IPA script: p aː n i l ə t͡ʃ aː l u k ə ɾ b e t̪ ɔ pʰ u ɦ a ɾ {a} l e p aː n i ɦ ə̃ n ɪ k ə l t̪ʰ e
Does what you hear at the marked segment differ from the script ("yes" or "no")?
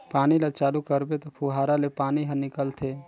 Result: no